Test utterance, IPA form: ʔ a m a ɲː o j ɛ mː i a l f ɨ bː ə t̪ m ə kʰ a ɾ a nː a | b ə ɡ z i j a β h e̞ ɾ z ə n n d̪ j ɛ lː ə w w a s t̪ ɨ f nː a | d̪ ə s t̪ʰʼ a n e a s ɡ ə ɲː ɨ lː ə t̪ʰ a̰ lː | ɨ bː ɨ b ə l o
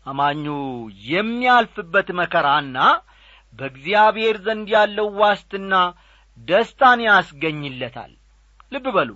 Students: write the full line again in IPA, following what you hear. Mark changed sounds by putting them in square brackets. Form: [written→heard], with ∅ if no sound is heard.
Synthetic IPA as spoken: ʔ a m a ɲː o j ɛ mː i a l f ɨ bː ə t̪ m ə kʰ [a→ə] ɾ a nː a | b ə ɡ z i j a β h e̞ ɾ z ə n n d̪ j [ɛ→a] lː ə w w a s t̪ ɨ [f→∅] nː a | d̪ ə s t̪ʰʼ a n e a s ɡ ə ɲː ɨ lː ə t̪ʰ a̰ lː | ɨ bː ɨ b ə l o